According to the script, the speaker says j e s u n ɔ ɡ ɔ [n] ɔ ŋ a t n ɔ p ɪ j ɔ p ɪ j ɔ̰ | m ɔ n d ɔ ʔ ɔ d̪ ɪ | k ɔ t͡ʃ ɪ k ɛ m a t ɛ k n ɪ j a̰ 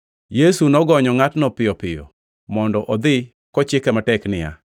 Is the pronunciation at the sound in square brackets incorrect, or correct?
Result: incorrect